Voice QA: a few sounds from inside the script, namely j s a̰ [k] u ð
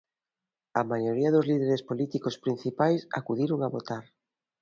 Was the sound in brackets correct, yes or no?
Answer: yes